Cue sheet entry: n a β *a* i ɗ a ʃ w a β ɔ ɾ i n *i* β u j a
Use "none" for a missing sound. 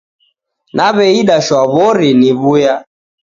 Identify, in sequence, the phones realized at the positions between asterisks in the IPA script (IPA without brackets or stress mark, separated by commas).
ɛ, i